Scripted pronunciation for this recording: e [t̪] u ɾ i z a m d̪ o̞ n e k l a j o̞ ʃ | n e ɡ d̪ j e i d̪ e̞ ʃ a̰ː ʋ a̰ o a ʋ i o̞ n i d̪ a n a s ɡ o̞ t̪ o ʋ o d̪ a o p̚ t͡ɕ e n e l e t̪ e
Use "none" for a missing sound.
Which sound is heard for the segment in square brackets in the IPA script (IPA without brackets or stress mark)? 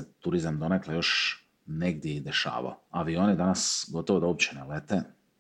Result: t̪